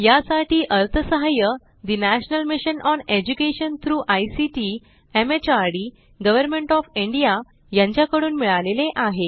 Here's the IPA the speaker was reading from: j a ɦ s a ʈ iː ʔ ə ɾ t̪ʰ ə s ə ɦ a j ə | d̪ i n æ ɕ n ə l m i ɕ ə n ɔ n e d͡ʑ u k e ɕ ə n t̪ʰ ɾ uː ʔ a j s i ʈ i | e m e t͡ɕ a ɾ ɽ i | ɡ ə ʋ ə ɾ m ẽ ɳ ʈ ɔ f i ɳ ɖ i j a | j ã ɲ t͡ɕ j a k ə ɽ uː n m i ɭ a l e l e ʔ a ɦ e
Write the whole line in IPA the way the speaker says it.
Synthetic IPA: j a s a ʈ iː ʔ ə ɾ t̪ʰ ə s ə ɦ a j ə | d̪ i n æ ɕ n ə l m i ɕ ə n ɔ n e d͡ʑ u k e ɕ ə n t̪ʰ ɾ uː ʔ a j s i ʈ i | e m e t͡ɕ a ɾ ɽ i | ɡ ə ʋ ə ɾ m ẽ ɳ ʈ ɔ f i ɳ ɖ i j a | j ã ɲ t͡ɕ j a k ə ɽ uː n m i ɭ a l e l e ʔ a ɦ e